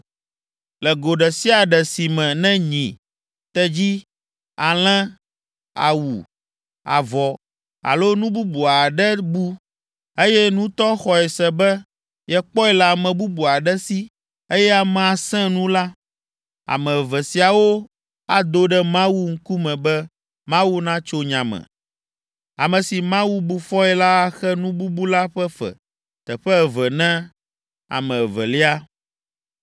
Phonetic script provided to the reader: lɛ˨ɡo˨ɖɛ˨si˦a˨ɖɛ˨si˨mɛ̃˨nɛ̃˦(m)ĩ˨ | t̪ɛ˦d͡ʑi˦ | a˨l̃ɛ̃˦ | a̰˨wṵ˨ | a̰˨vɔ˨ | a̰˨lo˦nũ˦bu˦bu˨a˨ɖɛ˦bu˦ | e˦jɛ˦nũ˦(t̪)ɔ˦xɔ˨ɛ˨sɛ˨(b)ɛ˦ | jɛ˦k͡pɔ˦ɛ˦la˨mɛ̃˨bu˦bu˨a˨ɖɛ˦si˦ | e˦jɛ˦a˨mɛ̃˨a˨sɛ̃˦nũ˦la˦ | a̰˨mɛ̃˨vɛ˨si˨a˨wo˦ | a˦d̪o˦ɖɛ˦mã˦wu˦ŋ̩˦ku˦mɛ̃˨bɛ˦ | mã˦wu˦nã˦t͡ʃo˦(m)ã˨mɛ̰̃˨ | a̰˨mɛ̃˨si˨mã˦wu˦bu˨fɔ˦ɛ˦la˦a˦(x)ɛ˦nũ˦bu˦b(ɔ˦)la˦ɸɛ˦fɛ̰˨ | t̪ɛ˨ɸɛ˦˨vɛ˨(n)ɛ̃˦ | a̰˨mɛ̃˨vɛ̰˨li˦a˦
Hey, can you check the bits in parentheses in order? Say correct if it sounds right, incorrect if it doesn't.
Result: incorrect: ɲ, correct, correct, incorrect: ɲ, correct, incorrect: u˦, correct

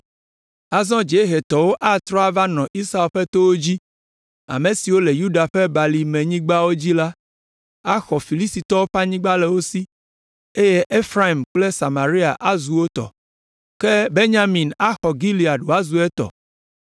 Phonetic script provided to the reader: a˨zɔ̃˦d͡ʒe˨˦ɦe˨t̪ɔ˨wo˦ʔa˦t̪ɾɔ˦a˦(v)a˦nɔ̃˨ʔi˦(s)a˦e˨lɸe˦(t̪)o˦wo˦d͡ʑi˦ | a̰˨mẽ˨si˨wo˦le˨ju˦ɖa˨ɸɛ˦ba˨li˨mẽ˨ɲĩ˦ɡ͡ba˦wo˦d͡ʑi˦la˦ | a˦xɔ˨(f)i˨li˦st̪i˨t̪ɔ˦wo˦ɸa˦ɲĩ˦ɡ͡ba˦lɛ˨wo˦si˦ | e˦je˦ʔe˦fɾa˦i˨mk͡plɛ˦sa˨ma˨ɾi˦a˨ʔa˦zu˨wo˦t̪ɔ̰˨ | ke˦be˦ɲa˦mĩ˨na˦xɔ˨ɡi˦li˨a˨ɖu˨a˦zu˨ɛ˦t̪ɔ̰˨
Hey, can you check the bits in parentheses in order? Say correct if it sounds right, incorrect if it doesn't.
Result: correct, correct, correct, correct

